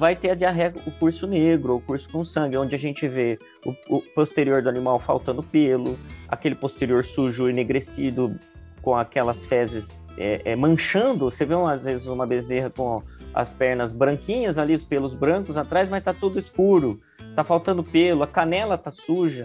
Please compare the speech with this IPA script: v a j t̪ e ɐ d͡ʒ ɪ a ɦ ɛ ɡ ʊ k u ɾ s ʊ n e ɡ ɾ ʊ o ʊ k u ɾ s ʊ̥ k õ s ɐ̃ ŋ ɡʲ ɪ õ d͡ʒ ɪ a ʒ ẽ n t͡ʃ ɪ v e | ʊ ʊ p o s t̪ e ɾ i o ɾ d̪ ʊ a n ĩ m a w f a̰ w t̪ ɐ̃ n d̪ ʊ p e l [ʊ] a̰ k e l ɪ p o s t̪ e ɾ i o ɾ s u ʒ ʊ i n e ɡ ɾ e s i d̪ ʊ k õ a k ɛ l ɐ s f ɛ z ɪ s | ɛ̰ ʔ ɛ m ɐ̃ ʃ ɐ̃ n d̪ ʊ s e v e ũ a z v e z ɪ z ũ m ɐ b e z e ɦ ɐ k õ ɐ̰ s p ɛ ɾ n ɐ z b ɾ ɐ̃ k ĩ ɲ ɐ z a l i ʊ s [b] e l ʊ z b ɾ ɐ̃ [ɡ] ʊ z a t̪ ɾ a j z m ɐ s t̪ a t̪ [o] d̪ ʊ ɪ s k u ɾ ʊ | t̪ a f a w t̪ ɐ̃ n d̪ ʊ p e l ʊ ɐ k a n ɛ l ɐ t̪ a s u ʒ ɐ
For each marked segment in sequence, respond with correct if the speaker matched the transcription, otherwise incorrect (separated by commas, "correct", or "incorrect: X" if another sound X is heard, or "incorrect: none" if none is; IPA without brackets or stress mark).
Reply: correct, incorrect: p, incorrect: k, incorrect: u